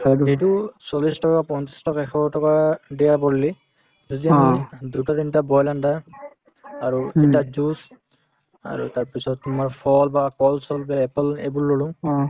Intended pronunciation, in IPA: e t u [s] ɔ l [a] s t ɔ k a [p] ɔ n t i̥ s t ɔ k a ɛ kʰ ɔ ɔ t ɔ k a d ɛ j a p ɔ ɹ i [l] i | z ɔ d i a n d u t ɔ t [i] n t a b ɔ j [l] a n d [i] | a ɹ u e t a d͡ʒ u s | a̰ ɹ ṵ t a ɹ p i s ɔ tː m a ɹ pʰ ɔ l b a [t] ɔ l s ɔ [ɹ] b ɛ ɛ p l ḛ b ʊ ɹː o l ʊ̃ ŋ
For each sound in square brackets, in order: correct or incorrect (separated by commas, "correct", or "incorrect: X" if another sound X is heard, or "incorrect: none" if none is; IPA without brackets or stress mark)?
correct, incorrect: i, correct, correct, correct, correct, incorrect: a, incorrect: k, incorrect: l